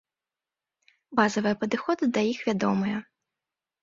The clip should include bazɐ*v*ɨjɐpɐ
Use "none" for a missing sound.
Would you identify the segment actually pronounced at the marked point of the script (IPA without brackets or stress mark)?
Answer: v